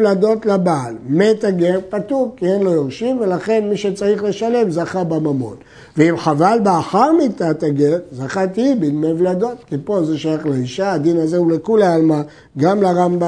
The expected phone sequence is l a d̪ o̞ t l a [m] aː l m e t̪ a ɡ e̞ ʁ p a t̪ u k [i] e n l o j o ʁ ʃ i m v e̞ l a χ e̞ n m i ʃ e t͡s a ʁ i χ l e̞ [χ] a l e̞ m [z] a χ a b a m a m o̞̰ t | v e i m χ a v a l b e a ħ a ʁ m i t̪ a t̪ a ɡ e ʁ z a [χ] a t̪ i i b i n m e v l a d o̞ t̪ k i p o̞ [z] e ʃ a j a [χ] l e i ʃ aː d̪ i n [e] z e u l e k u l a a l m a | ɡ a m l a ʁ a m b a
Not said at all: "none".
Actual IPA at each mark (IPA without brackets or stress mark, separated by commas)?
b, i, ʃ, z, χ, z, χ, a